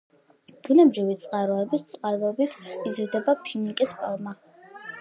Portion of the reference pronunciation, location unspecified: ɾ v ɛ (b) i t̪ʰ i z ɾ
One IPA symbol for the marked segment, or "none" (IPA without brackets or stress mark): b